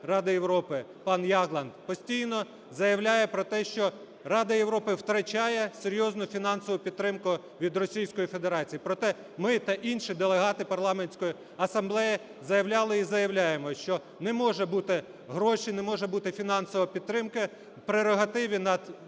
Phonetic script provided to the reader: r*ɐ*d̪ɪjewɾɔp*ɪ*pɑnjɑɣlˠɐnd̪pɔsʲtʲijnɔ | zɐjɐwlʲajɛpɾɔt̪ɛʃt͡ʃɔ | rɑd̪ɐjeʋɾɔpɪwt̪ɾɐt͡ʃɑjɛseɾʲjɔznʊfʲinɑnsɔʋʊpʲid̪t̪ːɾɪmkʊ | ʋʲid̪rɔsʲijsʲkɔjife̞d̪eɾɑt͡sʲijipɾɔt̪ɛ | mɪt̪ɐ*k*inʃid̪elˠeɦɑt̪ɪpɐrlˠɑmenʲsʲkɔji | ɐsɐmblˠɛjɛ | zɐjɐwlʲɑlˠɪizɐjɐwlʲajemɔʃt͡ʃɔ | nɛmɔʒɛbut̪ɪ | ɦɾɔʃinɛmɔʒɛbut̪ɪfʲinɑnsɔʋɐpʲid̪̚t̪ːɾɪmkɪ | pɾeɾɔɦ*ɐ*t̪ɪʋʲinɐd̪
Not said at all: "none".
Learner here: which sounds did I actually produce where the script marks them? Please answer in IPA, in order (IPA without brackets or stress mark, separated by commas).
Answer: ɑ, ɪ, ʔ, ɐ